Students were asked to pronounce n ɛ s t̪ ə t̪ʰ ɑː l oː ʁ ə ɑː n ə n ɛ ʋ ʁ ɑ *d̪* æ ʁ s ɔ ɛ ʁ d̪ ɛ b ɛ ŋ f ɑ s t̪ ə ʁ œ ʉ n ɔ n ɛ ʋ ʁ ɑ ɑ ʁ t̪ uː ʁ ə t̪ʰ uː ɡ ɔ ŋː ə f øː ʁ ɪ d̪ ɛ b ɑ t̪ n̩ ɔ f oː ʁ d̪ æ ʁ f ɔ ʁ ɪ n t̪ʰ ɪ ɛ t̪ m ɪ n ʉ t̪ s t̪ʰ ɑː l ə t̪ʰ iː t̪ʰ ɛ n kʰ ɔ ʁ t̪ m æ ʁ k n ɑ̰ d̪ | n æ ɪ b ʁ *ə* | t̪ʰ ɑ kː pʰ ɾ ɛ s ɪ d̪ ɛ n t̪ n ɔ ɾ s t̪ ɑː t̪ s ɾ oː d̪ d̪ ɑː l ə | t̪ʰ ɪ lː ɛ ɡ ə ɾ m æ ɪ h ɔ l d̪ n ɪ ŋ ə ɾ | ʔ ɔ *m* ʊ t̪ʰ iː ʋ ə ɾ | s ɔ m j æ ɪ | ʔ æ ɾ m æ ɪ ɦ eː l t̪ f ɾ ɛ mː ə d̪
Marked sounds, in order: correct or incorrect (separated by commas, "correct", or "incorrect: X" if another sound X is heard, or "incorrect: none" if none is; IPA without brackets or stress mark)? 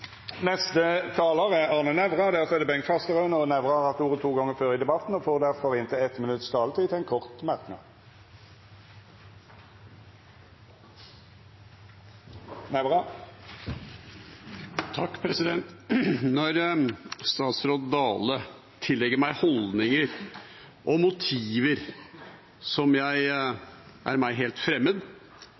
correct, incorrect: ɑ, correct